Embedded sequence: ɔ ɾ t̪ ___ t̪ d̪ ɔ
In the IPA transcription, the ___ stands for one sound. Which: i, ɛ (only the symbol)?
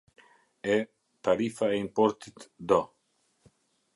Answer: i